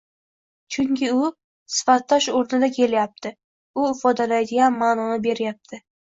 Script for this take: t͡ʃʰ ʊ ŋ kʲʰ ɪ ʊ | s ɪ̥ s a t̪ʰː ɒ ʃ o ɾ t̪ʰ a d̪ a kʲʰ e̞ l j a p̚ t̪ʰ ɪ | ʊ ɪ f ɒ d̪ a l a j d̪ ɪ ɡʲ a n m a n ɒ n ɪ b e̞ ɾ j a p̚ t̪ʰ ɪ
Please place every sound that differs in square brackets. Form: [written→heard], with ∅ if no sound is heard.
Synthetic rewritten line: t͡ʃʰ ʊ ŋ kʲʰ ɪ ʊ | s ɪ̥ [s→f] a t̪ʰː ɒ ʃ o ɾ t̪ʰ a d̪ a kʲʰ e̞ l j a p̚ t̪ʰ ɪ | ʊ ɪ f ɒ d̪ a l a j d̪ ɪ ɡʲ a n m a n ɒ n ɪ b e̞ ɾ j a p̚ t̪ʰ ɪ